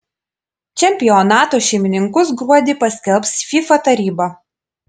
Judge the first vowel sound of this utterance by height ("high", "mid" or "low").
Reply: mid